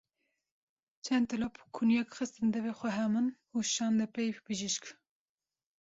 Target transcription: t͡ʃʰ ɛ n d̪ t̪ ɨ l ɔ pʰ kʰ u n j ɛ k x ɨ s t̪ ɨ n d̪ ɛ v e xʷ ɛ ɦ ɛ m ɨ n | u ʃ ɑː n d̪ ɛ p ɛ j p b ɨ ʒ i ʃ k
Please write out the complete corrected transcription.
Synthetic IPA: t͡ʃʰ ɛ n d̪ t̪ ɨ l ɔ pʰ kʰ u n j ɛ k x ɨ s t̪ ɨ n d̪ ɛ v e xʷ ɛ ɦ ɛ m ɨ n | u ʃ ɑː n d̪ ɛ p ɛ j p b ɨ ʒ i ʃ k